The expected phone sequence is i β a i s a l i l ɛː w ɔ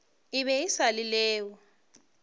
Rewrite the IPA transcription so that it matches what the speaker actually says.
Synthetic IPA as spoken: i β ɛ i s a l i l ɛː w ɔ